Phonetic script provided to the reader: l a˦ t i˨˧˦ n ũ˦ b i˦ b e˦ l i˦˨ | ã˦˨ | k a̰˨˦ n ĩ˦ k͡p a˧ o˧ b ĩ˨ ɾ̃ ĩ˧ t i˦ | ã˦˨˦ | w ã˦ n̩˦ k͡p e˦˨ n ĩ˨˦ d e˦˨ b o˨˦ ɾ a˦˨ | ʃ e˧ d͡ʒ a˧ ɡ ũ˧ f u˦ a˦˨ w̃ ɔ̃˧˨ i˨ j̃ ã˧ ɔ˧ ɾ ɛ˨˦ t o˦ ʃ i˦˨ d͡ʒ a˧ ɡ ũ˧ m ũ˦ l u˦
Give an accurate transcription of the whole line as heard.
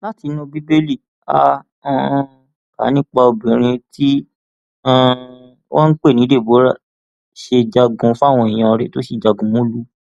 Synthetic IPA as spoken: l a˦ t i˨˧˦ n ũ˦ b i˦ b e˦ l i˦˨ | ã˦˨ | k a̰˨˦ n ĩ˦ k͡p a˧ o˧ b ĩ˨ ɾ̃ ĩ˧ t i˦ | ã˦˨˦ | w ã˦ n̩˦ k͡p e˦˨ n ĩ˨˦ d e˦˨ b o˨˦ ɾ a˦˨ | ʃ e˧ d͡ʒ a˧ ɡ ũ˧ f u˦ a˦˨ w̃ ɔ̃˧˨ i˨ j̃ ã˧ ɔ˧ ɾ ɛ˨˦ t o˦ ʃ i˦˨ d͡ʒ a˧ ɡ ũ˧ m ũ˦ l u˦